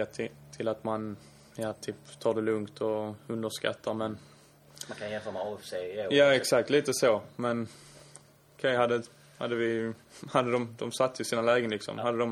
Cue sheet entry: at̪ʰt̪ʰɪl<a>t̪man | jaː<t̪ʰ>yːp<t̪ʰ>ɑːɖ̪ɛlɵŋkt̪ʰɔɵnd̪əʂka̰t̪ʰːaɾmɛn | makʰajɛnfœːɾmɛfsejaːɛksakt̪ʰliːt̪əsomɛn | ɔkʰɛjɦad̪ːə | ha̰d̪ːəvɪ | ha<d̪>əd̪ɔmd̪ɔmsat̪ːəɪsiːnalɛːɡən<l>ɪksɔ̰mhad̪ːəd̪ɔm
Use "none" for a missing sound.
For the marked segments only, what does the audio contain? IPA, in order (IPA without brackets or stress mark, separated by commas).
a, t̪ʰ, t̪ʰ, d̪ː, l